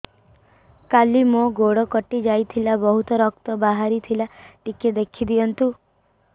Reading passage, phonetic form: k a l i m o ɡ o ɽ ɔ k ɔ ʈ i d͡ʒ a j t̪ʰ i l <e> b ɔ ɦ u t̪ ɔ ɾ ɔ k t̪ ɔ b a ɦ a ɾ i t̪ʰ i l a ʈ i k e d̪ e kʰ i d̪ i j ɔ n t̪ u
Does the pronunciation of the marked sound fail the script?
yes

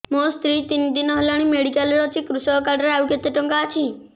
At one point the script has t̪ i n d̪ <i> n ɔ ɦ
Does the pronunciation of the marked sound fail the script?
no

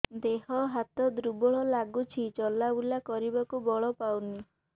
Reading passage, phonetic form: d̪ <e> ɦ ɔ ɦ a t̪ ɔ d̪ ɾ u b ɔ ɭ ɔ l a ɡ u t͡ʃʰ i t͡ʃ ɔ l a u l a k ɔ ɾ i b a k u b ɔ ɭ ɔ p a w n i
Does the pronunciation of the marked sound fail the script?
no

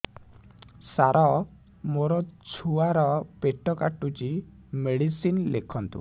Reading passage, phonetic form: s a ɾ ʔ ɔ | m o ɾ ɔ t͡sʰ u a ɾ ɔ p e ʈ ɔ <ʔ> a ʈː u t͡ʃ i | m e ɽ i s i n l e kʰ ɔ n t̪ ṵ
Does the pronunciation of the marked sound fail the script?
yes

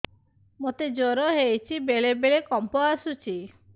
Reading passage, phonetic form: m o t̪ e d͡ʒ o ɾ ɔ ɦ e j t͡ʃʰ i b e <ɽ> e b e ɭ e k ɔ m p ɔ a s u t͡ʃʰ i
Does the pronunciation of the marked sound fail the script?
yes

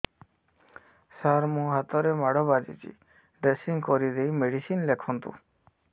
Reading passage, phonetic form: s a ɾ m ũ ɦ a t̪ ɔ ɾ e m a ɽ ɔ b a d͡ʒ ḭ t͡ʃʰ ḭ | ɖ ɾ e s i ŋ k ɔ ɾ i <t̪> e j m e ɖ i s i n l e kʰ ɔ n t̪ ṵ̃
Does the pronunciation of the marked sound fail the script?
yes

